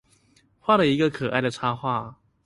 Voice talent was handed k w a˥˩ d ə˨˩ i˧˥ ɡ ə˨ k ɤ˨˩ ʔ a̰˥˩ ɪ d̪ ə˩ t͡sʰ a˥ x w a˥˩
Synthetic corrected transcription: x w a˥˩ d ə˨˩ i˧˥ ɡ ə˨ kʰ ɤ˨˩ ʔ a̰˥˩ ɪ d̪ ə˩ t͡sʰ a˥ x w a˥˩